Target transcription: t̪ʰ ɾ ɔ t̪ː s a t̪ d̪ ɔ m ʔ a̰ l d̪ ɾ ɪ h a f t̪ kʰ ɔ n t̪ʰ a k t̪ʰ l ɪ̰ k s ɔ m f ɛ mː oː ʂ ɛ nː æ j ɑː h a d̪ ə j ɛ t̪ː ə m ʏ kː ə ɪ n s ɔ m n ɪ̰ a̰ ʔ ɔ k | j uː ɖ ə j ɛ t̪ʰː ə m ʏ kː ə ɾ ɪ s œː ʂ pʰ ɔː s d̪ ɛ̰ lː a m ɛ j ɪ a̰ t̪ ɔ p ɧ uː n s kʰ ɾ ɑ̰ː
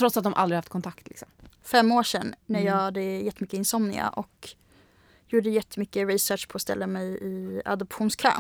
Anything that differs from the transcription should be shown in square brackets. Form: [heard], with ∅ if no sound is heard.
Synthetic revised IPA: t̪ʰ ɾ ɔ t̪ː s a t̪ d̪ ɔ m ʔ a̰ l d̪ ɾ ɪ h a f t̪ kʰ ɔ n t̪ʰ a k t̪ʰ l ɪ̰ k s ɔ m f ɛ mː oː ʂ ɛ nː æ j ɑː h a d̪ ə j ɛ t̪ː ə m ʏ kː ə ɪ n s ɔ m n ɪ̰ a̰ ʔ ɔ k | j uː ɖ ə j ɛ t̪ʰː ə m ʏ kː ə ɾ ɪ s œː ʂ pʰ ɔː s [t̪] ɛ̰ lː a m ɛ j ɪ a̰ [d̪] ɔ p ɧ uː n s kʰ ɾ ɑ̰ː